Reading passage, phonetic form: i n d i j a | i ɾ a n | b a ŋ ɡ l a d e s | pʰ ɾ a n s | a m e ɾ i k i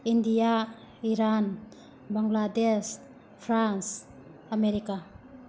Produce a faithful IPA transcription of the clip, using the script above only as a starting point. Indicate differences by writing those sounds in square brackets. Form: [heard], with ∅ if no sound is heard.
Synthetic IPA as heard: i n d i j a | i ɾ a n | b a ŋ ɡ l a d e s | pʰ ɾ a n s | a m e ɾ i k [a]